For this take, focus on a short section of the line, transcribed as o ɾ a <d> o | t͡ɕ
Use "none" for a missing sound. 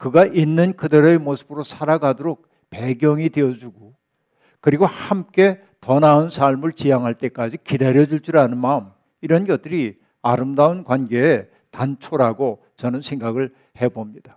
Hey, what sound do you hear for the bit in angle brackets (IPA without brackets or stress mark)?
ɡ